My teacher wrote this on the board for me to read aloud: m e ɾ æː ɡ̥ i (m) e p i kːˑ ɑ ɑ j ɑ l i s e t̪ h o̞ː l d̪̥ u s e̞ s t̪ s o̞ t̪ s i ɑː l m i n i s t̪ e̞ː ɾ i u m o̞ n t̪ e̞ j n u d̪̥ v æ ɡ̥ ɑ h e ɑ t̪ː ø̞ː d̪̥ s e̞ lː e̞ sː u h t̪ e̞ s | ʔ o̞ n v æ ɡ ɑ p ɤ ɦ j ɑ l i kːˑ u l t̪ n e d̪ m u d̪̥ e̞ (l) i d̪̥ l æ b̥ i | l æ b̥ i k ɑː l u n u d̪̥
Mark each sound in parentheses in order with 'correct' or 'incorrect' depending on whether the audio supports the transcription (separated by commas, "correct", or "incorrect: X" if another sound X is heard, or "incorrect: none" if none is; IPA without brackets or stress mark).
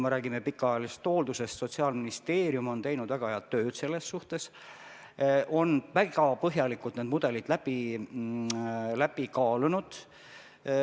correct, correct